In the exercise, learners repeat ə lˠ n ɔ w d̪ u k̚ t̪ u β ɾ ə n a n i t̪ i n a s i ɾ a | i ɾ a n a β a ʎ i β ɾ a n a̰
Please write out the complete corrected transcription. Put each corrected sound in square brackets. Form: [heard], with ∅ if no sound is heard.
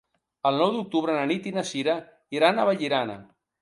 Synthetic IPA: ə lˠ n ɔ w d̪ u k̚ t̪ u β ɾ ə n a n i t̪ i n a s i ɾ a | i ɾ a n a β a ʎ i [∅] ɾ a n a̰

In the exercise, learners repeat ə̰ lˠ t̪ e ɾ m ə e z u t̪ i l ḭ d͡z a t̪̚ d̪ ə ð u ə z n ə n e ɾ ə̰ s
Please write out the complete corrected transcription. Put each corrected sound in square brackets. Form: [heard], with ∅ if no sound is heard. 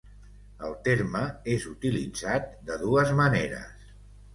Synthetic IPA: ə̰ lˠ t̪ e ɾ m ə e z u t̪ i l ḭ d͡z a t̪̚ d̪ ə ð u ə z [m] ə n e ɾ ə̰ s

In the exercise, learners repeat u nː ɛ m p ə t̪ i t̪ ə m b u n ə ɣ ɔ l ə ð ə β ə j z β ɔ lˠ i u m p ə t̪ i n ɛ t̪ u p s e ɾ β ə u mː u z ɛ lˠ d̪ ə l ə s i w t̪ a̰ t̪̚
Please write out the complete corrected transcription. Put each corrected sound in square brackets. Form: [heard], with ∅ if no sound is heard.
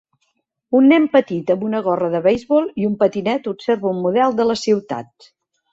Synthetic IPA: u nː ɛ m p ə t̪ i t̪ ə m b u n ə ɣ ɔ [r] ə ð ə β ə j z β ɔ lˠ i u m p ə t̪ i n ɛ t̪ u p s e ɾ β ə u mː u [ð] ɛ lˠ d̪ ə l ə s i w t̪ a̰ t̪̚

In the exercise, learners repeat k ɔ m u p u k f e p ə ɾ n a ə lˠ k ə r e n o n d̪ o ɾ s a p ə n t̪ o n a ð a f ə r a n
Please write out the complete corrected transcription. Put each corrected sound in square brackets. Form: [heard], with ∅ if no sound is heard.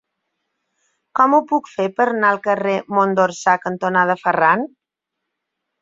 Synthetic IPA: k ɔ m u p u k f e p ə ɾ n a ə lˠ k ə r e [m] o n d̪ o ɾ s a [k] ə n t̪ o n a ð [ə] f ə r a n

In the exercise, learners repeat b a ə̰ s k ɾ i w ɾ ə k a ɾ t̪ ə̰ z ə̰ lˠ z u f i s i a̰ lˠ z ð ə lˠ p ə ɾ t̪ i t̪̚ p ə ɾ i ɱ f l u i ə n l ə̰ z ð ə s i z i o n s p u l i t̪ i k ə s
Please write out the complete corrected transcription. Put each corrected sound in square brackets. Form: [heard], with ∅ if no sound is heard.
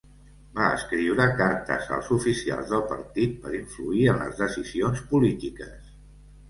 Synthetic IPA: b a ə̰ s k ɾ i w ɾ ə k a ɾ t̪ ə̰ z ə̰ lˠ z u f i s i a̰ lˠ z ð ə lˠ p ə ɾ t̪ i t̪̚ p ə ɾ i ɱ f l u i ə n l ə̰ z ð ə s i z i o n s p u l i t̪ i k ə s

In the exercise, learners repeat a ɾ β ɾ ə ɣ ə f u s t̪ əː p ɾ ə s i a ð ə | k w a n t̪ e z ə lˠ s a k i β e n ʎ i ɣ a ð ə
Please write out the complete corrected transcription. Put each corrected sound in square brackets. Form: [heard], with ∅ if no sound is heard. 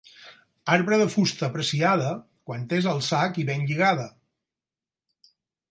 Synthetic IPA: a ɾ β ɾ ə [ð] ə f u s t̪ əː p ɾ ə s i a ð ə | k w a n t̪ e z ə lˠ s a k i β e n ʎ i ɣ a ð ə

